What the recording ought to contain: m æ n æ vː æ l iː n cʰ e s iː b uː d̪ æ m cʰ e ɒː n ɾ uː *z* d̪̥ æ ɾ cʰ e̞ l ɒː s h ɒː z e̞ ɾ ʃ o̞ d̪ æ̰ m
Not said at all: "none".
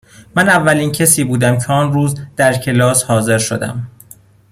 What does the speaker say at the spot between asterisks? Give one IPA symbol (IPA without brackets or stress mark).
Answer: z